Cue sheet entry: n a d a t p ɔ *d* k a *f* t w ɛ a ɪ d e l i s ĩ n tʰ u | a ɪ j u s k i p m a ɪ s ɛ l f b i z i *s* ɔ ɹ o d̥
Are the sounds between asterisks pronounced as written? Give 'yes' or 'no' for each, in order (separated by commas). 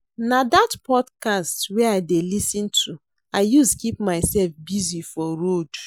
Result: yes, no, no